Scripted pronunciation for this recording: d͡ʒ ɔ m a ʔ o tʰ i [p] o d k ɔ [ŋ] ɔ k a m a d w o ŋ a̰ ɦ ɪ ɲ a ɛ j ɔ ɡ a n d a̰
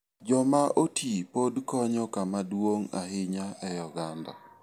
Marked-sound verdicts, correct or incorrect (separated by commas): correct, incorrect